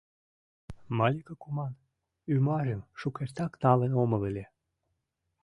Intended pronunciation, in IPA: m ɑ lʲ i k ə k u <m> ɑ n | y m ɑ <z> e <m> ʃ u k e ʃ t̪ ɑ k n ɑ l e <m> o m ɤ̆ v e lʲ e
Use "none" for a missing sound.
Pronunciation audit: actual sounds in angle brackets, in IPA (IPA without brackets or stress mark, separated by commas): m, ʒ, m, n